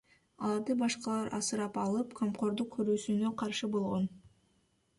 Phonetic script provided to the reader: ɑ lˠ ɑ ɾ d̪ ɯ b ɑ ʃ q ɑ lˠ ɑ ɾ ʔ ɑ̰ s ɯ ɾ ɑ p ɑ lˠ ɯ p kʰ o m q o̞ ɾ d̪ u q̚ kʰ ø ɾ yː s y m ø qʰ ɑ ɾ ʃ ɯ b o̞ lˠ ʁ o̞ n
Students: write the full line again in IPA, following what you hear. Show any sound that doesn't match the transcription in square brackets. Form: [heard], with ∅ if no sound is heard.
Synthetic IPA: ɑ lˠ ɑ ɾ d̪ ɯ b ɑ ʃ q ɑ lˠ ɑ ɾ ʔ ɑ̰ s ɯ ɾ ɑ p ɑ lˠ ɯ p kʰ o m q o̞ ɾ d̪ u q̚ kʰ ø ɾ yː s y [n] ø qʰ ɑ ɾ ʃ ɯ b o̞ lˠ ʁ o̞ n